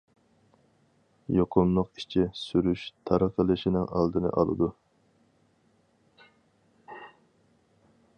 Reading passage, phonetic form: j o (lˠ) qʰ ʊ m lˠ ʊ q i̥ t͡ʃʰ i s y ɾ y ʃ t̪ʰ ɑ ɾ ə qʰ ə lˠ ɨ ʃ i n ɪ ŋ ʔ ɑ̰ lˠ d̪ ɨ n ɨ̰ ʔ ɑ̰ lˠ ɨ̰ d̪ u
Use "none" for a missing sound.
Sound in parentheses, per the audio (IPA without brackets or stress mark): none